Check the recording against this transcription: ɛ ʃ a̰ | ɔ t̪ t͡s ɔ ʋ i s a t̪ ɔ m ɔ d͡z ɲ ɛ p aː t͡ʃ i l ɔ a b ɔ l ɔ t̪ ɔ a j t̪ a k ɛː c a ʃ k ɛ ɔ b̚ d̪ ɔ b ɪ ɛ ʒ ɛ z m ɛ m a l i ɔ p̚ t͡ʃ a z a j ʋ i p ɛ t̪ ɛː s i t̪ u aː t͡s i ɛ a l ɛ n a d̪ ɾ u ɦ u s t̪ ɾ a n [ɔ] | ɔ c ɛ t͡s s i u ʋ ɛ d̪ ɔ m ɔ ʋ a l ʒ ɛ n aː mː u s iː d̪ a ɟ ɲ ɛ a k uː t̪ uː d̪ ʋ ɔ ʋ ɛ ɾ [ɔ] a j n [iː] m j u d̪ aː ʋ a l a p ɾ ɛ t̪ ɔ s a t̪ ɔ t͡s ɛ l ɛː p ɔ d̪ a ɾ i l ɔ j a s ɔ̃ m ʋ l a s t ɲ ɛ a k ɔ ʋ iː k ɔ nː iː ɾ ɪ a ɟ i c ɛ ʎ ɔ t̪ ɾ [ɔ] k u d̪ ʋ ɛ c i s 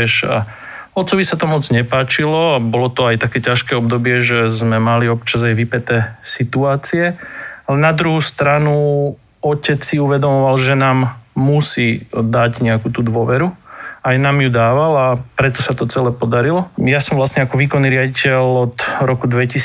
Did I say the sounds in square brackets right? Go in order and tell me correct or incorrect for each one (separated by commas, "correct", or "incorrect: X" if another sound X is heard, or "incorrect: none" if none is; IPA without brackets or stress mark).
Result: incorrect: u, incorrect: u, incorrect: aː, correct